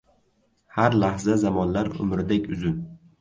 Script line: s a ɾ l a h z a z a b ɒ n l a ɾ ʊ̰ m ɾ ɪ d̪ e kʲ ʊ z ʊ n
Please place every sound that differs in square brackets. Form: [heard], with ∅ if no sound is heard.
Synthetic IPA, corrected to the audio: [h] a ɾ l a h z a z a [m] ɒ n l a ɾ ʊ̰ m ɾ ɪ d̪ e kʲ ʊ z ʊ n